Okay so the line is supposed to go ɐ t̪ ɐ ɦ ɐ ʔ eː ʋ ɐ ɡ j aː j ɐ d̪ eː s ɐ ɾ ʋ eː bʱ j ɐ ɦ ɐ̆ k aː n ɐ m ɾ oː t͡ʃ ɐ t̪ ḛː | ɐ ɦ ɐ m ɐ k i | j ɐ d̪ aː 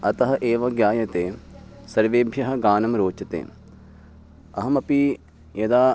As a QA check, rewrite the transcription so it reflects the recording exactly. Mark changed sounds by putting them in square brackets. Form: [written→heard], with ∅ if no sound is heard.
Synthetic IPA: ɐ t̪ ɐ ɦ ɐ ʔ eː ʋ ɐ ɡ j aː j ɐ [d̪→t̪] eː s ɐ ɾ ʋ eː bʱ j ɐ ɦ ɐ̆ [k→ɡ] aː n ɐ m ɾ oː t͡ʃ ɐ t̪ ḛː | ɐ ɦ ɐ m ɐ [k→p] i | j ɐ d̪ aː